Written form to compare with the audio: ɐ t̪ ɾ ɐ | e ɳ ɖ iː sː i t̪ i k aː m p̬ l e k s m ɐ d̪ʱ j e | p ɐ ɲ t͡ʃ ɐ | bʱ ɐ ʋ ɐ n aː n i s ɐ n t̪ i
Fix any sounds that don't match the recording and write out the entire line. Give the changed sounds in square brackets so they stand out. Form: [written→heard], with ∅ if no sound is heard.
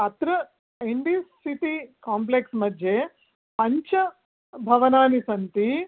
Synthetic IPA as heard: ɐ t̪ ɾ ɐ | e ɳ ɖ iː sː i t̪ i k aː m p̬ l e k s m ɐ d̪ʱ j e | p ɐ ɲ t͡ʃ ɐ | bʱ ɐ ʋ ɐ n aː n i s ɐ n t̪ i